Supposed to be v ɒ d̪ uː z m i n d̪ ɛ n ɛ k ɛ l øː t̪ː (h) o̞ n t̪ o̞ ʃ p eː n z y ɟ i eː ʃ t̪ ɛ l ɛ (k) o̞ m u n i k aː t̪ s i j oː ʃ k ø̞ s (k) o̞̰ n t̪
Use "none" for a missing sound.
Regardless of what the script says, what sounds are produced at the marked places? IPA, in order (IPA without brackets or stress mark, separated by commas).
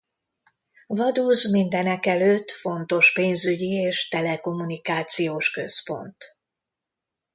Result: f, k, p